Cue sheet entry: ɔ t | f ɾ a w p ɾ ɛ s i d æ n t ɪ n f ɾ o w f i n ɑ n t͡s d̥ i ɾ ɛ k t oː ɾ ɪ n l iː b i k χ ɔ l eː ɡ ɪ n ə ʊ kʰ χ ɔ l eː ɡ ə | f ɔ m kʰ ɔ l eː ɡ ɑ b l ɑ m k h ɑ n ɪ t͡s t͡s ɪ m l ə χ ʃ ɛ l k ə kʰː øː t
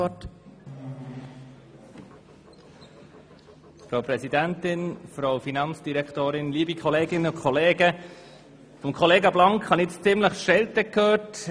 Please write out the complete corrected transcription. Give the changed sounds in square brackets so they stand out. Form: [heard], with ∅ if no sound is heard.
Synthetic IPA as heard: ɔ t | f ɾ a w p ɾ ɛ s i d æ n t ɪ n f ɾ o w f i n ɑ n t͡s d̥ i ɾ ɛ k t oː ɾ ɪ n l iː b i k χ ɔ l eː ɡ ɪ n ə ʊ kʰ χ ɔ l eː ɡ ə | f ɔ m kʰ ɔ l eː ɡ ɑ b l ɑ [ŋ] k h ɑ n ɪ t͡s t͡s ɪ m l ə χ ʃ ɛ l [t] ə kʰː øː t

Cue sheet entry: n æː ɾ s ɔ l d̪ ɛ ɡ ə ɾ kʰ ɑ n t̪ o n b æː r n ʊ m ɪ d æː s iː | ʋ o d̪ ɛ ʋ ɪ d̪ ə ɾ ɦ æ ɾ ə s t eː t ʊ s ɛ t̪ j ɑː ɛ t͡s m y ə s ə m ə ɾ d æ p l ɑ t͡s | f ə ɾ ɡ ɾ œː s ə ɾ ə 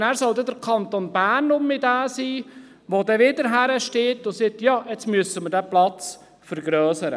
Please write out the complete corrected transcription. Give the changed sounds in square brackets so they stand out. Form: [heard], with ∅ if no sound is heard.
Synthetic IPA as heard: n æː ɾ s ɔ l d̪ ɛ [d] ə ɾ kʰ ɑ n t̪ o n b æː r n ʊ m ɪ d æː s iː | ʋ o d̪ ɛ ʋ ɪ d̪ ə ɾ ɦ æ ɾ ə [ʃ] t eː t ʊ s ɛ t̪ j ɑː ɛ t͡s m y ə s ə m ə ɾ d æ p l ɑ t͡s | f ə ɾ ɡ ɾ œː s ə ɾ ə

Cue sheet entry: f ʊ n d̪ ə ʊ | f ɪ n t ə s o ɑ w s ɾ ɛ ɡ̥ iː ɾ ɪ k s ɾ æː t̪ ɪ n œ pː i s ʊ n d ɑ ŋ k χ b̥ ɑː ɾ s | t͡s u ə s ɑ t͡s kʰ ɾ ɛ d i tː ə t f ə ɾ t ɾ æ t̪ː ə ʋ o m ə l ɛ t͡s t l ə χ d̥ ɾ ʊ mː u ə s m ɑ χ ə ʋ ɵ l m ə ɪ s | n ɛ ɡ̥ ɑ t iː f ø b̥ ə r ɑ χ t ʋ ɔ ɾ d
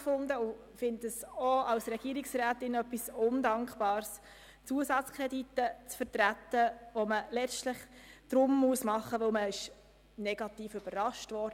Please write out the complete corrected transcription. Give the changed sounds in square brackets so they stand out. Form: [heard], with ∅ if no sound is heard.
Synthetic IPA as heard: f ʊ n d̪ ə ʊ | f ɪ n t ə s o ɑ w s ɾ ɛ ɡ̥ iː ɾ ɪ k s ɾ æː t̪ ɪ n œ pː i s ʊ n d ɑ ŋ k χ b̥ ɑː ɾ s | t͡s u ə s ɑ t͡s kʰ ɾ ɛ d i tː ə [t͡s] f ə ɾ t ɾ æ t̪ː ə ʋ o m ə l ɛ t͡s t l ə χ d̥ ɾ ʊ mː u ə s m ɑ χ ə ʋ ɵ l m ə ɪ [ʃ] | n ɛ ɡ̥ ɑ t iː f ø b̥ ə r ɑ [ʃ] t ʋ ɔ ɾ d

